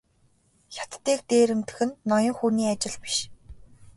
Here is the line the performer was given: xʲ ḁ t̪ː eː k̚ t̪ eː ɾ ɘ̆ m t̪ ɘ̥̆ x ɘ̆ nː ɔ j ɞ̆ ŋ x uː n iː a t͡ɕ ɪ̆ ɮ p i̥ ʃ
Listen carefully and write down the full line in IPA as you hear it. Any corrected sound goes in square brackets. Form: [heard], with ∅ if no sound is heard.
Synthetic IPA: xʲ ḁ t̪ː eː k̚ t̪ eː ɾ ɘ̆ m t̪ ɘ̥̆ x ɘ̆ nː ɔ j ɞ̆ ŋ x uː n iː a t͡ɕ ɪ̆ ɮ p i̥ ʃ